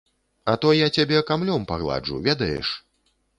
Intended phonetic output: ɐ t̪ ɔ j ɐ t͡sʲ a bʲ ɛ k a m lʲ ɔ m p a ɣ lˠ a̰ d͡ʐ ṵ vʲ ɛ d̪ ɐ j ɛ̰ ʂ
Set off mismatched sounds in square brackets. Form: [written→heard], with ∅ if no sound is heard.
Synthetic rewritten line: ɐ t̪ ɔ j [ɐ→a] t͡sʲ a bʲ ɛ k a m lʲ ɔ m p a ɣ lˠ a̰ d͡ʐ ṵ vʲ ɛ d̪ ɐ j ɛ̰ ʂ